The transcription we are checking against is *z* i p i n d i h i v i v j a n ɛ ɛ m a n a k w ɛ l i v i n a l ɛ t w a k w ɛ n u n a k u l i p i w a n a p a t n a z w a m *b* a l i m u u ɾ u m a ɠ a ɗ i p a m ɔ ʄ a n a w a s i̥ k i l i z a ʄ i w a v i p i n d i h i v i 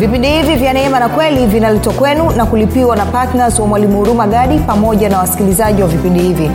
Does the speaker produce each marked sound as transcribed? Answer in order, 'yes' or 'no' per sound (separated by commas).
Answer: no, no